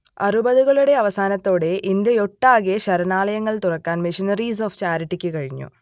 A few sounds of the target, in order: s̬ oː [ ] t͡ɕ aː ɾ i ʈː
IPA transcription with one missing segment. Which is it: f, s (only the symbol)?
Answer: f